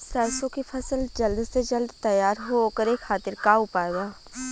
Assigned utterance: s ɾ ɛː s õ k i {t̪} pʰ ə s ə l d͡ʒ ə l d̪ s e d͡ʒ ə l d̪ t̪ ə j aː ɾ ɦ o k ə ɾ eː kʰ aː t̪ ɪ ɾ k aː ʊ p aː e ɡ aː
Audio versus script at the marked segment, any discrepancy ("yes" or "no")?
yes